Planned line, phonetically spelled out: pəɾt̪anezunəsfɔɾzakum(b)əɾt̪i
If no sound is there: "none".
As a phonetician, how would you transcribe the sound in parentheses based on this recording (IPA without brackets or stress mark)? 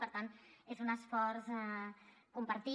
p